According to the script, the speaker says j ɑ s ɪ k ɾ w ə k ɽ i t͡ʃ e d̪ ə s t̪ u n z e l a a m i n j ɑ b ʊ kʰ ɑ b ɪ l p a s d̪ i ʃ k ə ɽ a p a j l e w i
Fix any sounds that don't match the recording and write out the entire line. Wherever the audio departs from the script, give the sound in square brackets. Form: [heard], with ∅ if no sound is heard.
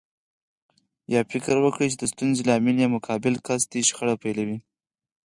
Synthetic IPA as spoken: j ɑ [f] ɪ k ɾ w ə k ɽ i t͡ʃ e d̪ ə s t̪ u n z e l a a m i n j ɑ [m] ʊ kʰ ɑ b ɪ l [k] a s d̪ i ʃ [x] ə ɽ a p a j l [a] w i